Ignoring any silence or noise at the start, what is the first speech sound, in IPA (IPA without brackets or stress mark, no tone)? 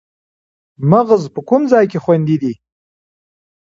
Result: m